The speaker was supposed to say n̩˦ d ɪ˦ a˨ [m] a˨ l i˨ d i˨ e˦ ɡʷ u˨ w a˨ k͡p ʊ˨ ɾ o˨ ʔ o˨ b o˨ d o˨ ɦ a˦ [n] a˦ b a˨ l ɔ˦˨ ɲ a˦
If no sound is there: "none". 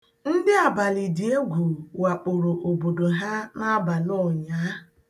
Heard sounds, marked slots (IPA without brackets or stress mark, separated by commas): b, n